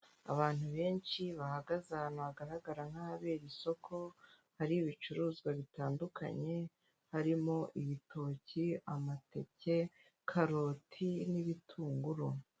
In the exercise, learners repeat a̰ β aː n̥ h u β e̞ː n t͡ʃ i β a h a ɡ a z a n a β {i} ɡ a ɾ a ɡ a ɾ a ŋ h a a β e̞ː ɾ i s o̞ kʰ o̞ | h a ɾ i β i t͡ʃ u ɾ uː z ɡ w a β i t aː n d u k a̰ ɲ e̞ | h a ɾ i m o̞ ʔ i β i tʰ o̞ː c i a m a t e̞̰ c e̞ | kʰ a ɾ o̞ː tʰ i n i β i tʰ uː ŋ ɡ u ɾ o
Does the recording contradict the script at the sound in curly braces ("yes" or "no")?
yes